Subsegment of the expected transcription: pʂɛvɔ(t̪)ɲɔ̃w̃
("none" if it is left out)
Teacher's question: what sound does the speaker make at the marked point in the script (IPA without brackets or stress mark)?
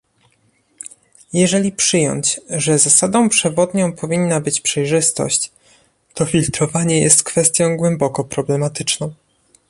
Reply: d̪